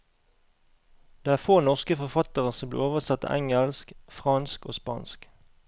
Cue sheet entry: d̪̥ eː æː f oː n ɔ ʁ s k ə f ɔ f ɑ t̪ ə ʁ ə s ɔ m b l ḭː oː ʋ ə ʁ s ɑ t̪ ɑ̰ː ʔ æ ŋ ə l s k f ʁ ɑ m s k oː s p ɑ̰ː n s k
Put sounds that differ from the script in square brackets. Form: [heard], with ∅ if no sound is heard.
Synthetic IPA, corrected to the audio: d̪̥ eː æː f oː n ɔ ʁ s k ə f ɔ f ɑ t̪ ə ʁ ə s ɔ m b l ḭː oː ʋ ə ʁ s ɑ t̪ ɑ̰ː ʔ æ ŋ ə l s k f ʁ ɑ [n] s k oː s p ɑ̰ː n s k